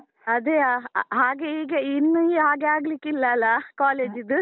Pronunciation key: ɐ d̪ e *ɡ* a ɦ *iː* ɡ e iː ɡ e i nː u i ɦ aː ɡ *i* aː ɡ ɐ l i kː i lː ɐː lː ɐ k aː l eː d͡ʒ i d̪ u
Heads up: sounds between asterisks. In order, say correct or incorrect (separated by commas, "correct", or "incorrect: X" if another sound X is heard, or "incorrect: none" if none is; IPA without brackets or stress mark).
incorrect: none, incorrect: aː, incorrect: e